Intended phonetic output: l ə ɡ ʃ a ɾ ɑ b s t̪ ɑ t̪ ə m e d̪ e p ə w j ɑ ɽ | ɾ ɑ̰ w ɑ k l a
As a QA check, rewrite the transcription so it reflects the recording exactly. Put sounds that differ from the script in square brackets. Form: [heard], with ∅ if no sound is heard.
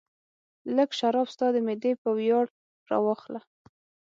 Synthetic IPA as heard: l ə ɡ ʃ a ɾ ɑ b s t̪ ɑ [d̪] ə m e d̪ e p ə w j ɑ ɽ | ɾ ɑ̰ w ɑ [x] l a